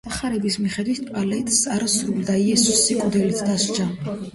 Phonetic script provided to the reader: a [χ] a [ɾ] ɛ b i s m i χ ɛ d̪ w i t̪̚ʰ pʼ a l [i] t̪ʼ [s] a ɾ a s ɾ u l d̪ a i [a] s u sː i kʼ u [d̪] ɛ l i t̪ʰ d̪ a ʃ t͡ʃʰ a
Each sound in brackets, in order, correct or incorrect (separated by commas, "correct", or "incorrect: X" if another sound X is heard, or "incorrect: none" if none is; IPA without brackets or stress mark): correct, correct, incorrect: ɛ, correct, incorrect: ɛ, correct